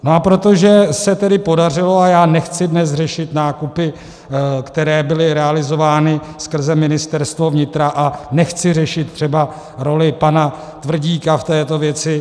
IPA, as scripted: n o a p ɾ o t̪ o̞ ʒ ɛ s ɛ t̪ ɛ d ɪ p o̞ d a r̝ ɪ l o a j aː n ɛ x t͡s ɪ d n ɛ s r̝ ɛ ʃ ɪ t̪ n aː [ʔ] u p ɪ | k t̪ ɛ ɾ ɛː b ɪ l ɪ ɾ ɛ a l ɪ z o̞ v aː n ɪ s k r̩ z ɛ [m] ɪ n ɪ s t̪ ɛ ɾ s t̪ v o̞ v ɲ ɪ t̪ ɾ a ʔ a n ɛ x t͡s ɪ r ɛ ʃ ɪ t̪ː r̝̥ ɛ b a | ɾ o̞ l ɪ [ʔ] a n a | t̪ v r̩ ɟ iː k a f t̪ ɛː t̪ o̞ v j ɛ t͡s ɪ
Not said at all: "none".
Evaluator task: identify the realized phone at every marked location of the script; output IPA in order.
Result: k, m, p

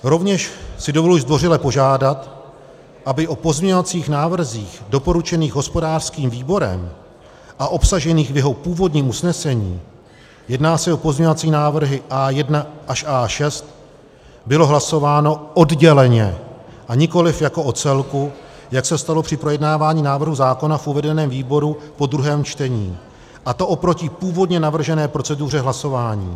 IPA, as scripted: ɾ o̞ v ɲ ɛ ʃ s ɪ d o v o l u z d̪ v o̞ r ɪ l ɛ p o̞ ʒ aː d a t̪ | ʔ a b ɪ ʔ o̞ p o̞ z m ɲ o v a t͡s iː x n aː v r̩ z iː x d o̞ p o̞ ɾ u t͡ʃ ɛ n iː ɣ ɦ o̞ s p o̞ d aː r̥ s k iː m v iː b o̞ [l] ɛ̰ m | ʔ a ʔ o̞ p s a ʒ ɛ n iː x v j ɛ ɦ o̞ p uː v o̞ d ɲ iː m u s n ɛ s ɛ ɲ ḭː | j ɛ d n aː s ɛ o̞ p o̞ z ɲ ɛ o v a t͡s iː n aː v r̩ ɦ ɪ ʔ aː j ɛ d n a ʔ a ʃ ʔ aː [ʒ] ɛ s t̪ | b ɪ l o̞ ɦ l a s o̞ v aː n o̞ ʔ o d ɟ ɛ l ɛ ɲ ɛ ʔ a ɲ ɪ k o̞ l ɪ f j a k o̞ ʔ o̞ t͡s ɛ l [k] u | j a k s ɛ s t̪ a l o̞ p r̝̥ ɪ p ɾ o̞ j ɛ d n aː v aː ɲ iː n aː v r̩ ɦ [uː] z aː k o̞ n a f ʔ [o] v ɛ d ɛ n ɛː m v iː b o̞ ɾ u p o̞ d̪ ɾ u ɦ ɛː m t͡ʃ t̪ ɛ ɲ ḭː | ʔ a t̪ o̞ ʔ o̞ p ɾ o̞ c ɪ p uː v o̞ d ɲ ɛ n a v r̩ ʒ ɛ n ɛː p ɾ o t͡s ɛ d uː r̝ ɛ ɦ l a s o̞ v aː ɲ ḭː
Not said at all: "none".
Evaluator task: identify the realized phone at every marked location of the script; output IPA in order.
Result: ɾ, ʃ, k, u, u

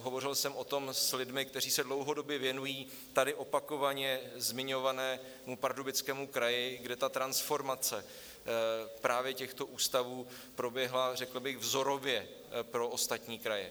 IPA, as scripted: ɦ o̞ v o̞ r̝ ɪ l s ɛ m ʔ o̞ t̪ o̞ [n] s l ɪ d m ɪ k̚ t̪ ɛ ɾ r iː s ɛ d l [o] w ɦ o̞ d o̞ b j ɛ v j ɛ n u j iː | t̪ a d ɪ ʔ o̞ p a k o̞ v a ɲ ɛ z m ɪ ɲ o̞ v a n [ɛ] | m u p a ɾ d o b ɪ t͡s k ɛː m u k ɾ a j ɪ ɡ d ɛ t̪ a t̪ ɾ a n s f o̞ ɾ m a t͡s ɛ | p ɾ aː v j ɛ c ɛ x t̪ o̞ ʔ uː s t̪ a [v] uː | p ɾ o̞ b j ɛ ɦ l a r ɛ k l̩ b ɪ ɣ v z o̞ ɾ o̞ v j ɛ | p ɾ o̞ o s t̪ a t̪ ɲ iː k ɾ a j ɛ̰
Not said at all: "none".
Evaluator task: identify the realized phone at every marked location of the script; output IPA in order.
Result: m, o, ɛː, v

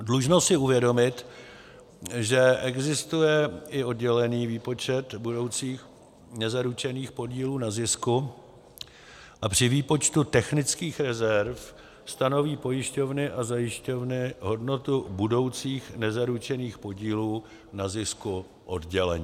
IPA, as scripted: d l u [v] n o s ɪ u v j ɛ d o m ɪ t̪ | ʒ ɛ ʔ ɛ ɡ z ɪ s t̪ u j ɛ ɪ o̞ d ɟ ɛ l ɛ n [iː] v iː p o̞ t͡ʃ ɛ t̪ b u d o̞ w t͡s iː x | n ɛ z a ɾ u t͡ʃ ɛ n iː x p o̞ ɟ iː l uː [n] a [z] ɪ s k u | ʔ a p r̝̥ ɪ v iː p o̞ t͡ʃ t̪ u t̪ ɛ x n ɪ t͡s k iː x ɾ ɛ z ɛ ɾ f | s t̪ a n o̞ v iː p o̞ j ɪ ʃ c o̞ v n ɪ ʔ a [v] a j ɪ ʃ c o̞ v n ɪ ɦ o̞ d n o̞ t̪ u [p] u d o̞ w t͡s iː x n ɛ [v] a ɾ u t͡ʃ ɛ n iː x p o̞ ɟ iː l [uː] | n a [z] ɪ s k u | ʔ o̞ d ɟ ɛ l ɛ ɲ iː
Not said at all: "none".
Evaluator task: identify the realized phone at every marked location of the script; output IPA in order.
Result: ʒ, iː, n, z, z, b, z, uː, z

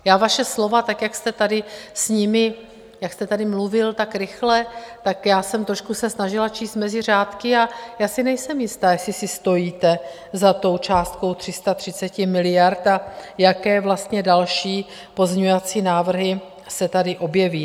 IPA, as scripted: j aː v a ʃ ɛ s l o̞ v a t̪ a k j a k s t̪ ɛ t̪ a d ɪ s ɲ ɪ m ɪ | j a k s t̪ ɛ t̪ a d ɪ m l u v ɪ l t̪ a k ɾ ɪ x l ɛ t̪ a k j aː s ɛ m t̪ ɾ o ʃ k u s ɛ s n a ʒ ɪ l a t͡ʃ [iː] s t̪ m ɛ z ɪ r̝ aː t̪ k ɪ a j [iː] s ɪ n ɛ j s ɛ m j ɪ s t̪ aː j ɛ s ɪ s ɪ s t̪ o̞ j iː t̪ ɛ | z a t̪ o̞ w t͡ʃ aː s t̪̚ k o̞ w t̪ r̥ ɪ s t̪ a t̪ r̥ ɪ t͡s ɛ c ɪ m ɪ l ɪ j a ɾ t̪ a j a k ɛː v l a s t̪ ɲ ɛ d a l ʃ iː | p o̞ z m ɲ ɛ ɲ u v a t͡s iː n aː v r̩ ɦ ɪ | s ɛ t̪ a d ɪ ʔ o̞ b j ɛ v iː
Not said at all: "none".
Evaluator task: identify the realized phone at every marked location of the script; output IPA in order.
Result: iː, aː

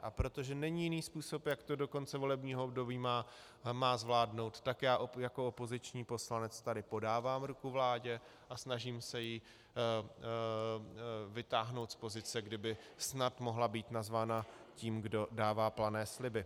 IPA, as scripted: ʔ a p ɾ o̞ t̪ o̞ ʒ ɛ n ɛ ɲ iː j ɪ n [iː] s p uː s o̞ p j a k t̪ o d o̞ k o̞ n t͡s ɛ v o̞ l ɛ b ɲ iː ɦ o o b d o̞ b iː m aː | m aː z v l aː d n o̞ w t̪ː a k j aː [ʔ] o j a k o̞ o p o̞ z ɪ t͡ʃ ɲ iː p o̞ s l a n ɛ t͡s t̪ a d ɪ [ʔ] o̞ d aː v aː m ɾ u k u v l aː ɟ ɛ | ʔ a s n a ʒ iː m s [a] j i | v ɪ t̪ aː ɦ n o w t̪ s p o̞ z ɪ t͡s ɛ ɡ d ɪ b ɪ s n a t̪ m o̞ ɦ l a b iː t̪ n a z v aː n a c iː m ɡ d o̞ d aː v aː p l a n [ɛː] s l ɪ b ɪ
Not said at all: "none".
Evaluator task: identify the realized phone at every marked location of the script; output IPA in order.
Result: iː, ʔ, p, ɛ, ɛː

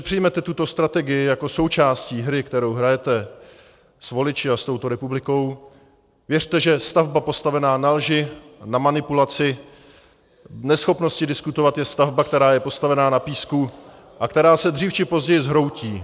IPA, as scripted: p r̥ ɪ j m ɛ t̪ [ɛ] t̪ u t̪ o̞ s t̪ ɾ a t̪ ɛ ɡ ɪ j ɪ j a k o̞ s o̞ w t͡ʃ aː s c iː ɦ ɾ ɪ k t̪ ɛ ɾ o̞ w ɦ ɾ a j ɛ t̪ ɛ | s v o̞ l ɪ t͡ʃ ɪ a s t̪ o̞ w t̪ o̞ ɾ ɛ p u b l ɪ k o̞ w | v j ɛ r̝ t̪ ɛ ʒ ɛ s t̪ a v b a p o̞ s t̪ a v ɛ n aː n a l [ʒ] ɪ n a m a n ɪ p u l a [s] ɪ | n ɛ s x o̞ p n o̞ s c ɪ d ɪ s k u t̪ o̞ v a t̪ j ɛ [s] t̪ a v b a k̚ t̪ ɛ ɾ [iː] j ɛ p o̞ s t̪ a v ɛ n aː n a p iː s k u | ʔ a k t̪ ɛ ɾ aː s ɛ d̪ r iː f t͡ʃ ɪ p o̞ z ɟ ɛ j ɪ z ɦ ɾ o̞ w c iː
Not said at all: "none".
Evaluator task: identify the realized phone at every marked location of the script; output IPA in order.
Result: ɛ, ʒ, t͡s, s, aː

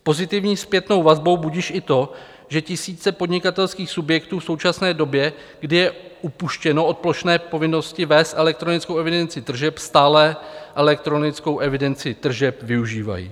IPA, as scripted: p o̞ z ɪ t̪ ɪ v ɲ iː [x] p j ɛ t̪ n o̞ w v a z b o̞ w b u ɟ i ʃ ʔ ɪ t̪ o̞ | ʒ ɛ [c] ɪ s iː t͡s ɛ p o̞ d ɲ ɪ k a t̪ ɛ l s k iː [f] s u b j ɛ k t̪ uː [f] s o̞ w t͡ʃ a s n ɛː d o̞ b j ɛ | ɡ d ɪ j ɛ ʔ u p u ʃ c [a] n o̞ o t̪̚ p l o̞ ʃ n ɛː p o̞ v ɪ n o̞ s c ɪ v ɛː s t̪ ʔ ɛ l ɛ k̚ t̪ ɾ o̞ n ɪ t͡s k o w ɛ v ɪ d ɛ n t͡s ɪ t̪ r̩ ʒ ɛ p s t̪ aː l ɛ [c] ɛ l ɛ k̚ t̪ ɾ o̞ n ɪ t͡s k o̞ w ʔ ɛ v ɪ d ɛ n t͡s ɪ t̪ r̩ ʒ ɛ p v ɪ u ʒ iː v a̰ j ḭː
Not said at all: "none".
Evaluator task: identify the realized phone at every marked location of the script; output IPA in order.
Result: s, c, x, f, ɛ, ʔ

